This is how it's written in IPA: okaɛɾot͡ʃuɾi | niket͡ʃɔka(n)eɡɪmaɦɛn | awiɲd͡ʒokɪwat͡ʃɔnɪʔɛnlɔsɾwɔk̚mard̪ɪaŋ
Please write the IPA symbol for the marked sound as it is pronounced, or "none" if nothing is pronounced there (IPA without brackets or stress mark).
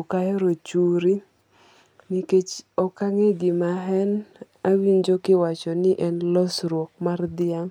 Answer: ŋ